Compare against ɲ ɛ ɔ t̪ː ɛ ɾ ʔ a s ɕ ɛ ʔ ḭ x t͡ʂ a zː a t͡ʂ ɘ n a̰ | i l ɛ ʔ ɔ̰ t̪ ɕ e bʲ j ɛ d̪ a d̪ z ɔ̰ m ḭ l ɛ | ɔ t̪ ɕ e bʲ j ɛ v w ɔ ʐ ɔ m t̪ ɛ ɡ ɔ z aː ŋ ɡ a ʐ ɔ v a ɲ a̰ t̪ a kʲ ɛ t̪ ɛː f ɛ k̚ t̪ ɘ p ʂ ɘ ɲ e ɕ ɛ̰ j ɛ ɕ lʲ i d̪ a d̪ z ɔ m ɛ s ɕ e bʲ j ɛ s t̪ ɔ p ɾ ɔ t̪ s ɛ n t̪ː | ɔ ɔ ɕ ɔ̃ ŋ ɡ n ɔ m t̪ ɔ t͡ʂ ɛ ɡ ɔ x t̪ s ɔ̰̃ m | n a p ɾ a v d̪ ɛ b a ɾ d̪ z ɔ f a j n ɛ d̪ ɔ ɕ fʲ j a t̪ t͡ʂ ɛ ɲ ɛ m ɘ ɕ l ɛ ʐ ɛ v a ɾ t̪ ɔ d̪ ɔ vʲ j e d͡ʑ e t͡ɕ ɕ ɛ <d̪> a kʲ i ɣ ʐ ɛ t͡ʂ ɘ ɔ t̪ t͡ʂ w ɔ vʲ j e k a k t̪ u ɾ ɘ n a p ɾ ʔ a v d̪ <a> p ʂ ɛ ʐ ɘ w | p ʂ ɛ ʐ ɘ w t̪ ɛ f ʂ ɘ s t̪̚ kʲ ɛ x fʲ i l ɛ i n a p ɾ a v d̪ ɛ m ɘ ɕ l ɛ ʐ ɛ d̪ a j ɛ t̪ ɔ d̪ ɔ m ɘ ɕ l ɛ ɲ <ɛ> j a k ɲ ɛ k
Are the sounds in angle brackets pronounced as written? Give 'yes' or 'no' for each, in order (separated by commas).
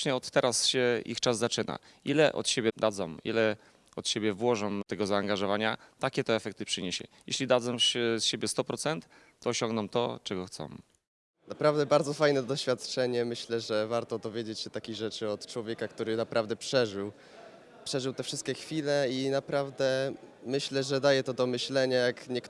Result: no, no, no